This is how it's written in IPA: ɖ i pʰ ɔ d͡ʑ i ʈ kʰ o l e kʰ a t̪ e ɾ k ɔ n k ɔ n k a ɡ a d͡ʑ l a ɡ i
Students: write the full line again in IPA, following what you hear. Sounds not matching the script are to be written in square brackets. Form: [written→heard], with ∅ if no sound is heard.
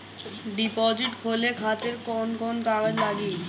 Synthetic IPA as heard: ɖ i [pʰ→p] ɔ d͡ʑ i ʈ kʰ o l e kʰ a t̪ e ɾ k ɔ n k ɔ n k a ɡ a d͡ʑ l a ɡ i